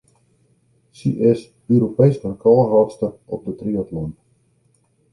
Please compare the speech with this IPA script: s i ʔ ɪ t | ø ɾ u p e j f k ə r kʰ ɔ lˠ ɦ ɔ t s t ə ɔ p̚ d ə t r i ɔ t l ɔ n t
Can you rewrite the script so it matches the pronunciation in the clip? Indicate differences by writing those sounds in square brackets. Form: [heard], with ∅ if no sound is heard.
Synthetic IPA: s i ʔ ɪ [s] | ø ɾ [o] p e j [s] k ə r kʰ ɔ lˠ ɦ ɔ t s t ə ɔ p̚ d ə t r i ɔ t l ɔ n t